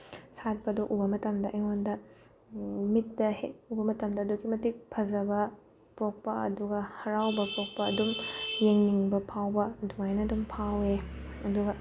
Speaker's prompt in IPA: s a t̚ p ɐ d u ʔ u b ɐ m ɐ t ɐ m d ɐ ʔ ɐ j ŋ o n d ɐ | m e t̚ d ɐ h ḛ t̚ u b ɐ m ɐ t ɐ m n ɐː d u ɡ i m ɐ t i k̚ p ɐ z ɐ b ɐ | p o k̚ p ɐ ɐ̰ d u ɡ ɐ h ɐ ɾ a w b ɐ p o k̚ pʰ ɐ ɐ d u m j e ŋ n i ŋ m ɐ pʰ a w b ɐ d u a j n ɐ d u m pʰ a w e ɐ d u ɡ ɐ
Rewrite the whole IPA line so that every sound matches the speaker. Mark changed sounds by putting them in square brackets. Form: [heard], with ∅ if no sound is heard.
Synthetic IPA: s a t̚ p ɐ d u ʔ u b ɐ m ɐ t ɐ m d ɐ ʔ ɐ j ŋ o n d ɐ | m [i] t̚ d ɐ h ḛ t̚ u b ɐ m ɐ t ɐ m [d] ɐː d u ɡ i m ɐ t i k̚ [pʰ] ɐ z ɐ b ɐ | p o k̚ p ɐ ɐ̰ d u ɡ ɐ h ɐ ɾ a w b ɐ p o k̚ [p] ɐ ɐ d u m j e ŋ n i ŋ [b] ɐ pʰ a w b ɐ d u a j n ɐ d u m pʰ a w e ɐ d u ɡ ɐ